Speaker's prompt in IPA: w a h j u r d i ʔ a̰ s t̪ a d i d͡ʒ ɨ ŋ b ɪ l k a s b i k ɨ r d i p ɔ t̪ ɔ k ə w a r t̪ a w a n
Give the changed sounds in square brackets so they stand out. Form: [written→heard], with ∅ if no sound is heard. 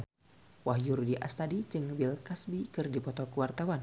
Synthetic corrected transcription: w a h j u r d i ʔ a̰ s t̪ a d i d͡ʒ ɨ ŋ b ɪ l k a s b i k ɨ r d i p ɔ t̪ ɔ k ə w a r t̪ a w a n